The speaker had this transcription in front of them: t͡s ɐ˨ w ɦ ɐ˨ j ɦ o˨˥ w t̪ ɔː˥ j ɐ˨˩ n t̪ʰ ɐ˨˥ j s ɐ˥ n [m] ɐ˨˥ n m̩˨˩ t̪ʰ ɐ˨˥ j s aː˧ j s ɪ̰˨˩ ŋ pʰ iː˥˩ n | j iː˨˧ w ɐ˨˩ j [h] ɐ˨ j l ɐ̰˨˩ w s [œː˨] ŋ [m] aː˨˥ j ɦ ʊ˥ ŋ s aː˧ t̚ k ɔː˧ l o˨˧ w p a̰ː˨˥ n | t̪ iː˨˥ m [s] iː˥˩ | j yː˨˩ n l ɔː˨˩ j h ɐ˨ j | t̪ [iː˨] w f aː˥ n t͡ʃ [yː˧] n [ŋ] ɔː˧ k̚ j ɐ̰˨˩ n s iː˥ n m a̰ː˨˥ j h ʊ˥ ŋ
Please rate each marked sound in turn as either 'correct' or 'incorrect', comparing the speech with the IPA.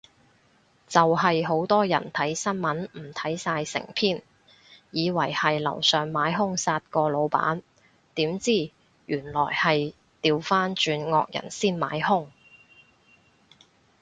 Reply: correct, correct, correct, correct, incorrect, correct, correct, correct

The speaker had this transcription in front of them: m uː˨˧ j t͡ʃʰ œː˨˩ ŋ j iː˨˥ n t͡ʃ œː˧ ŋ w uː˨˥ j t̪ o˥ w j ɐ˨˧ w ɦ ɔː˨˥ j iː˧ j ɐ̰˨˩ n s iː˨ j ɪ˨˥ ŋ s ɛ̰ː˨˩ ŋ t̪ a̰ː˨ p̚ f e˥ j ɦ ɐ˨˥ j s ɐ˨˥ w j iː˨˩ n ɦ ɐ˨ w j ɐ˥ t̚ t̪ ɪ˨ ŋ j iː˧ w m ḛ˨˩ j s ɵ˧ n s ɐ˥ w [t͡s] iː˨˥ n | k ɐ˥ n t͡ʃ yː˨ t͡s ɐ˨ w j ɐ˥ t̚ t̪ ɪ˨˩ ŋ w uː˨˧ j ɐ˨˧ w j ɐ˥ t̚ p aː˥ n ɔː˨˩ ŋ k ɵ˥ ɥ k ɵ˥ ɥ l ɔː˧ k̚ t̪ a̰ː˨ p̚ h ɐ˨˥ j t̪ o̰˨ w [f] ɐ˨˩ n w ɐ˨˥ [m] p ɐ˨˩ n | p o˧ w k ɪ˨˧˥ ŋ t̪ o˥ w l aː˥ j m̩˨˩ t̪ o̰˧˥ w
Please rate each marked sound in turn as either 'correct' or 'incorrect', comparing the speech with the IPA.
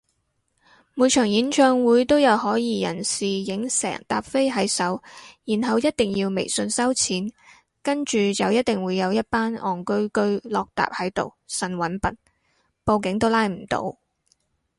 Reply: incorrect, incorrect, incorrect

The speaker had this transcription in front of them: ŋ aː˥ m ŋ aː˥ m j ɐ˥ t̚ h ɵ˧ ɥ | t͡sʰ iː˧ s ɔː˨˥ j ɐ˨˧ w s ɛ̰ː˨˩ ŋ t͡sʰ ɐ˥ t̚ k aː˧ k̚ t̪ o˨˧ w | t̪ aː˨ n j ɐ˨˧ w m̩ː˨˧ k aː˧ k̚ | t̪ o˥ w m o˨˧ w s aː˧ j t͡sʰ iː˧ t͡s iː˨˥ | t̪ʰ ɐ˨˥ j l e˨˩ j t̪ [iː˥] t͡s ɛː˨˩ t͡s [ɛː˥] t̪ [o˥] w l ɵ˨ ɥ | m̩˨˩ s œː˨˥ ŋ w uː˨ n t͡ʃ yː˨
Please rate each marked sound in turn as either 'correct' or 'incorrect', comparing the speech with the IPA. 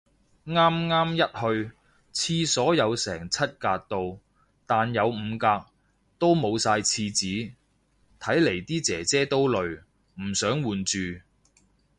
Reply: correct, correct, correct

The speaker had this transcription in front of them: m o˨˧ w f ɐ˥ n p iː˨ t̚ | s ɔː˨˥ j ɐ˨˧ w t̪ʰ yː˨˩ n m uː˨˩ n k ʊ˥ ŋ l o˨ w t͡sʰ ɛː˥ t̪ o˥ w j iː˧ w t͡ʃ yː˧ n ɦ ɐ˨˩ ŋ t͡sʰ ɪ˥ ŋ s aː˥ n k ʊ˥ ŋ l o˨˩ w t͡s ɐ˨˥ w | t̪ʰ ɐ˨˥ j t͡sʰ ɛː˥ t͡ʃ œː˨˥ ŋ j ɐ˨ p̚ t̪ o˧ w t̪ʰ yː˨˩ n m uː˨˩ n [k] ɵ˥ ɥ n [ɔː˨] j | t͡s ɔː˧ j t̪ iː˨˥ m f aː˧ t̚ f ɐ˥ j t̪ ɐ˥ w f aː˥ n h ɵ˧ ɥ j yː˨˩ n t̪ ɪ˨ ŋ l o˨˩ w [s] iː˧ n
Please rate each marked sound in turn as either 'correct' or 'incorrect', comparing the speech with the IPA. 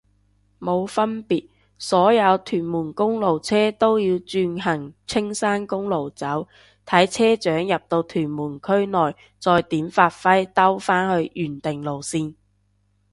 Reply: incorrect, correct, correct

